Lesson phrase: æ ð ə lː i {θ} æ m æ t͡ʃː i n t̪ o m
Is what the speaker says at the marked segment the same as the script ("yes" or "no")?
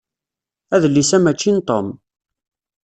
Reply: no